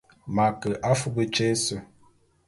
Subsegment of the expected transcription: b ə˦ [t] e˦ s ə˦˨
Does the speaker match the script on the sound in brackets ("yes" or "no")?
no